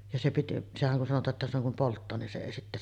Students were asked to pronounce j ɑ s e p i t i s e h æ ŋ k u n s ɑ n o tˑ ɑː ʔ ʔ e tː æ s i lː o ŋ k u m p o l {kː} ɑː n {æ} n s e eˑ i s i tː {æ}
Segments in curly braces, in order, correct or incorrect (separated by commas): incorrect, incorrect, correct